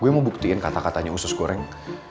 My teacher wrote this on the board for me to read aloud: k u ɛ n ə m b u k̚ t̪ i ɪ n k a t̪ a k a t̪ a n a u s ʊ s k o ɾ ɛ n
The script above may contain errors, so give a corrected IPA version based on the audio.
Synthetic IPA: ɡ u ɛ m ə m b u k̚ t̪ i ɪ n k a t̪ a k a t̪ a ɲ a u s ʊ s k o ɾ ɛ ŋ